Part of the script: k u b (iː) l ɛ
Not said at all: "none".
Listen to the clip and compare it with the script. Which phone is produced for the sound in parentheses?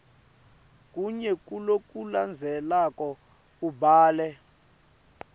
aː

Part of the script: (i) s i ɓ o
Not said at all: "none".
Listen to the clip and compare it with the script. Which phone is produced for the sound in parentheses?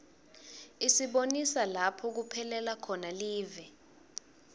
i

